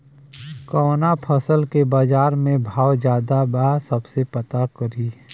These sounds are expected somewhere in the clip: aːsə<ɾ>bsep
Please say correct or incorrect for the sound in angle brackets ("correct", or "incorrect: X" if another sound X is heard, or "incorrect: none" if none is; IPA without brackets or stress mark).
incorrect: none